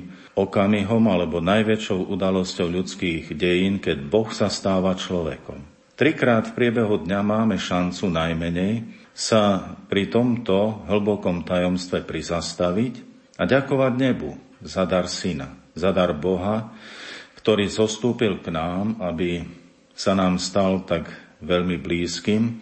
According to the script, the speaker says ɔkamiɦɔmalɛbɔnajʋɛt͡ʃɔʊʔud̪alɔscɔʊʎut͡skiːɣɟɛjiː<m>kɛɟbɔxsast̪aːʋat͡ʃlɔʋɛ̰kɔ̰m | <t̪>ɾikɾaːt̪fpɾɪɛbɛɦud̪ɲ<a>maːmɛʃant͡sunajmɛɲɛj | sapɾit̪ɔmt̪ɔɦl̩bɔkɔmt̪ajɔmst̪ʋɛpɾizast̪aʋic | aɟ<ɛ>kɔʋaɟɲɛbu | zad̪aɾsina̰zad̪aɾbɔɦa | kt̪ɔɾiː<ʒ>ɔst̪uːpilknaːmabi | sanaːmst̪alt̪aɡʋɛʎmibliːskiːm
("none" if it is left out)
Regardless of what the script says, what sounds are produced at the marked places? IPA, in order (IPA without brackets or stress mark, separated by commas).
n, t̪, a, a, z